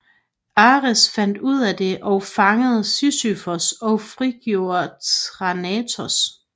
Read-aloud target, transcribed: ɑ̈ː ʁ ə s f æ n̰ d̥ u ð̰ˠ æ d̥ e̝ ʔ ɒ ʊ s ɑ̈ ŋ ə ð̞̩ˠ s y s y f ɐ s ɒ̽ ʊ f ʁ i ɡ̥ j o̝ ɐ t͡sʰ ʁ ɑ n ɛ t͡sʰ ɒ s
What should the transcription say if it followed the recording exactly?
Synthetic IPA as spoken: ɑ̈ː ʁ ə s f æ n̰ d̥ u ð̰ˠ æ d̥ e̝ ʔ ɒ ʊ f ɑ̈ ŋ ə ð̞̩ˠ s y s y f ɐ s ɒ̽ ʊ f ʁ i ɡ̥ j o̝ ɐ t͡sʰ ʁ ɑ n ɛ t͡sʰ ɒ s